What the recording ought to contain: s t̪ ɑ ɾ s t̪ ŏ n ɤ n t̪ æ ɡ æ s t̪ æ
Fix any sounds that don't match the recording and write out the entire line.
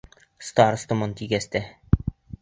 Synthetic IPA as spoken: s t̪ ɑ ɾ s t̪ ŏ m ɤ n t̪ i ɡ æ s t̪ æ